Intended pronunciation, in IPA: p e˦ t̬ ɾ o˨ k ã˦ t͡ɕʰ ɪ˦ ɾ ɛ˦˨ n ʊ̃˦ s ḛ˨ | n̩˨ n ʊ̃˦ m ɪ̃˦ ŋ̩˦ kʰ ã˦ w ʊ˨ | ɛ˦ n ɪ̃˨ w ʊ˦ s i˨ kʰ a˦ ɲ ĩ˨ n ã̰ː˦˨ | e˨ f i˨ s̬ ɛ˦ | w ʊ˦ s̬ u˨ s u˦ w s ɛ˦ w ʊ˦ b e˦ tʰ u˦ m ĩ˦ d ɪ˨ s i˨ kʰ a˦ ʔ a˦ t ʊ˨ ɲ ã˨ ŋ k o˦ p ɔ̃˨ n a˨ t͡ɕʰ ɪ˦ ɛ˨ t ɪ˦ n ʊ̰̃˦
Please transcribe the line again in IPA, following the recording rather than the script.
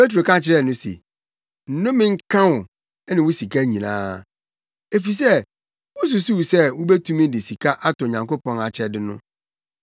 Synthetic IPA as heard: p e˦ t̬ ɾ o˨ k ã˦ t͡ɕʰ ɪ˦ ɾ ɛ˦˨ n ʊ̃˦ s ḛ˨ | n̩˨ n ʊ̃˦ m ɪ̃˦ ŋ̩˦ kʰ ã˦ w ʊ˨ | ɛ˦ n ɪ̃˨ w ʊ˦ s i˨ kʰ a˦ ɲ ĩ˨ n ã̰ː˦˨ | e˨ f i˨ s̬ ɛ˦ | w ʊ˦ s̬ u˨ s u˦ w s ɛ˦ w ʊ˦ b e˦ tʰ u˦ m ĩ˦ d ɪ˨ s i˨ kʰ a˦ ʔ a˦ t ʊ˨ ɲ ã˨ ŋ k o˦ p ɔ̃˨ n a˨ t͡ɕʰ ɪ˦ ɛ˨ d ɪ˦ n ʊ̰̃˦

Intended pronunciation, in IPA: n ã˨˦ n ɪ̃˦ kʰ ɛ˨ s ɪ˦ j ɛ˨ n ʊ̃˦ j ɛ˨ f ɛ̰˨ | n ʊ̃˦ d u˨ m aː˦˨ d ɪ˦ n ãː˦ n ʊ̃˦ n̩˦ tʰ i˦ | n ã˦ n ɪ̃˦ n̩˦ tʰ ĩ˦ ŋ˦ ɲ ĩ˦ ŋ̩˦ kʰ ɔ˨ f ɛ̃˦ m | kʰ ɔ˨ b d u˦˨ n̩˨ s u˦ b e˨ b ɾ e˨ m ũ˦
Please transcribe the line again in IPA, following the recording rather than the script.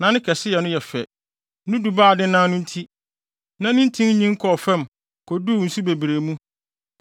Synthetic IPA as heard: n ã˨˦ n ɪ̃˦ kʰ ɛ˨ s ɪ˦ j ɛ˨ n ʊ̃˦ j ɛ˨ f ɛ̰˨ | n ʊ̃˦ d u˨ b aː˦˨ d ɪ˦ n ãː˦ n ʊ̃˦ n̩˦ tʰ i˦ | n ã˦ n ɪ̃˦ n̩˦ tʰ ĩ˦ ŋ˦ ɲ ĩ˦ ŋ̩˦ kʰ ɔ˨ f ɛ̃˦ m | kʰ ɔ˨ d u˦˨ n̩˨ s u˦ b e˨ b ɾ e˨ m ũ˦

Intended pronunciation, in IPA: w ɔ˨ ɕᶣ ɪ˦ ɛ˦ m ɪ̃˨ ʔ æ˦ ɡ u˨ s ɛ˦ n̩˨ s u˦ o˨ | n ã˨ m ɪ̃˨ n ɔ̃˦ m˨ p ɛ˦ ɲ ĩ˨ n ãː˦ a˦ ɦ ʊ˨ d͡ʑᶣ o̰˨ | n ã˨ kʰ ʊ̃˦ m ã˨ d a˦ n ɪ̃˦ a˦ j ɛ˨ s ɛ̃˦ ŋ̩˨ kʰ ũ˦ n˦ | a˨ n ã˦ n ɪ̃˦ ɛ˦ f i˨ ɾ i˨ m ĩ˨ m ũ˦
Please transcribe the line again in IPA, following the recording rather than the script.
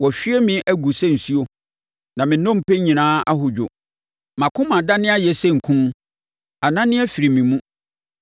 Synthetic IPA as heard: w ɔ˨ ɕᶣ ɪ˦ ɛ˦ m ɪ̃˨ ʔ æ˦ ɡ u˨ s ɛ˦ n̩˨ s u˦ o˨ | n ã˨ m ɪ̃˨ n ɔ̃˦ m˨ p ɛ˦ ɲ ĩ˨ n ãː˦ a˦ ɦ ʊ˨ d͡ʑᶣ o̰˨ | m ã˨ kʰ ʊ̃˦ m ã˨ d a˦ n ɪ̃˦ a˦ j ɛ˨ s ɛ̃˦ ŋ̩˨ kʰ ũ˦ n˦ | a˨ n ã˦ n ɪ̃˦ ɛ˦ f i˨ ɾ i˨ m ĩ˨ m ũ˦

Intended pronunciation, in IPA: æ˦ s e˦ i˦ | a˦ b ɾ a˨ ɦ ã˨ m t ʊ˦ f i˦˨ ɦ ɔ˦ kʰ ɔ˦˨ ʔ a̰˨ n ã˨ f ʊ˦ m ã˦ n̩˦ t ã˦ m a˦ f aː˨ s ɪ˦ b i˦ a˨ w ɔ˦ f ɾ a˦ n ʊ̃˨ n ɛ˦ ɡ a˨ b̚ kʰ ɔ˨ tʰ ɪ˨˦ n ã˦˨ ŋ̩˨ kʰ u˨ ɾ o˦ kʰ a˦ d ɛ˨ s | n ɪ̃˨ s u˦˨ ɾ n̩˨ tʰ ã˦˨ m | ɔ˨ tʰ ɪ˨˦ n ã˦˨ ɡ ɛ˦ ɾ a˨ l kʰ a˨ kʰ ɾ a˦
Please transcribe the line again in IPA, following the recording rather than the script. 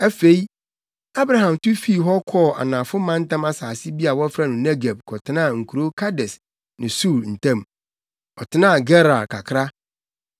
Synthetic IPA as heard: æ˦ f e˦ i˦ | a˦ b ɾ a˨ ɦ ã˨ m t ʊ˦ f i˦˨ ɦ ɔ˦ kʰ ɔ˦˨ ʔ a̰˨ n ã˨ f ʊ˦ m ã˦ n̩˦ t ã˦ m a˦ s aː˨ s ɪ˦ b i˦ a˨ w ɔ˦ f ɾ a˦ n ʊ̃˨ n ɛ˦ ɡ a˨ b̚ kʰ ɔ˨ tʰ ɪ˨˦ n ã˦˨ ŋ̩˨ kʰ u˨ ɾ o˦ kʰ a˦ d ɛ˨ s | n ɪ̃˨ s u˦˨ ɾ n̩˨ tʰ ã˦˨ m | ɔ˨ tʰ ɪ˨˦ n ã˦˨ ɡ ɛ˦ ɾ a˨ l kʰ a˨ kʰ ɾ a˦

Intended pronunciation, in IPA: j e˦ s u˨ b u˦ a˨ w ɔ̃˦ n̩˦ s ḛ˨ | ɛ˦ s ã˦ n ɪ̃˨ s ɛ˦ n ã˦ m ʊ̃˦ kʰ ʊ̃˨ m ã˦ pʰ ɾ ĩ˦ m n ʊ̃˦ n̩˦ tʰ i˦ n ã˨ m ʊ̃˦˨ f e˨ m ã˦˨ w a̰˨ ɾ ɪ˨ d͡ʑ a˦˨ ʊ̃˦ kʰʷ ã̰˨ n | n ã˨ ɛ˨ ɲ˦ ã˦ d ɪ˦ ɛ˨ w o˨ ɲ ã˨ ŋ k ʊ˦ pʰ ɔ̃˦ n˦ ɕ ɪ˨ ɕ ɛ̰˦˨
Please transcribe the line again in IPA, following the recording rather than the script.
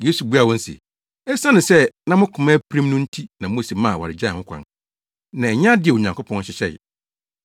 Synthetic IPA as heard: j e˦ s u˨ b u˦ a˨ w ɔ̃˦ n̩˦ s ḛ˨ | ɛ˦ s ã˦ n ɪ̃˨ s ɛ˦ n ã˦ m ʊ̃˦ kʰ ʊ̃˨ m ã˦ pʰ ɾ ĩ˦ m n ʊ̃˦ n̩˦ tʰ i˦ n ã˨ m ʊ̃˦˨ s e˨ m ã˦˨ w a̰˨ ɾ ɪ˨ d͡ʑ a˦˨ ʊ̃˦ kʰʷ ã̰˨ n | n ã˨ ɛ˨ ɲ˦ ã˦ d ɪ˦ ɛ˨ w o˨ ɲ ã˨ ŋ k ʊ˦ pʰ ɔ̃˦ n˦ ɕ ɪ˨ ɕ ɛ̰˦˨

